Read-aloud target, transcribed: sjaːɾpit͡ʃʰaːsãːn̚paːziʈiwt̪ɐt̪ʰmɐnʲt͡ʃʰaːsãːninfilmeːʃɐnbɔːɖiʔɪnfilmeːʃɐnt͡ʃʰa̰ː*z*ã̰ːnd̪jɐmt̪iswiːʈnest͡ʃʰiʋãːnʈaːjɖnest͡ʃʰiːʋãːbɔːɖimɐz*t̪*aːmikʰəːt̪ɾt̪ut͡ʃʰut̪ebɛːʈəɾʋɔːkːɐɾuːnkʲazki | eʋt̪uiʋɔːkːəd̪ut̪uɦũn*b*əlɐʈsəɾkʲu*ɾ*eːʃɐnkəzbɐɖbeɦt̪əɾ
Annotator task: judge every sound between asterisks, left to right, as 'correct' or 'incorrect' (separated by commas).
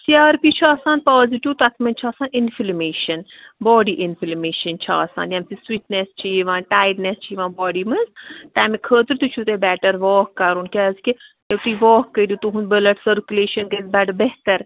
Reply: incorrect, correct, correct, incorrect